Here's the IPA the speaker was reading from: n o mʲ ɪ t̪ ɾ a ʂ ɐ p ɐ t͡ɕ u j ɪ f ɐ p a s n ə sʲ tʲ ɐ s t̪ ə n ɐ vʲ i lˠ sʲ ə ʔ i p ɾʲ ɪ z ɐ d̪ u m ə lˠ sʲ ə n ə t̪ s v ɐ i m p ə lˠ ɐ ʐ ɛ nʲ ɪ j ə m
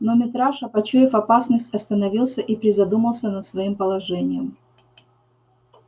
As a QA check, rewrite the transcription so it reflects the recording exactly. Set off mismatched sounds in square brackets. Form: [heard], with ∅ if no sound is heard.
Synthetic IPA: n o mʲ ɪ t̪ ɾ a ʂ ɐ p ɐ t͡ɕ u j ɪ f ɐ p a s n ə sʲ tʲ ɐ s t̪ ə n ɐ vʲ i lˠ sʲ ə ʔ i p ɾʲ ɪ z ɐ d̪ u m ə lˠ sʲ ə n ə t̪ s v ɐ i m p ə lˠ ɐ ʐ ɛ nʲ ɪ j ə m